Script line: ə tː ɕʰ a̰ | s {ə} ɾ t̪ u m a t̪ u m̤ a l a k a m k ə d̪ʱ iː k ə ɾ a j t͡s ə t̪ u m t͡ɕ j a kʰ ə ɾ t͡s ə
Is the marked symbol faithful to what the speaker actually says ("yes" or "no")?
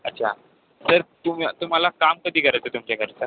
yes